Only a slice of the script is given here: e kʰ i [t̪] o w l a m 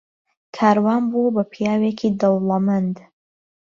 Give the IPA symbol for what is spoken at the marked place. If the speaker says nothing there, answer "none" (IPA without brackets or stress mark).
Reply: d̪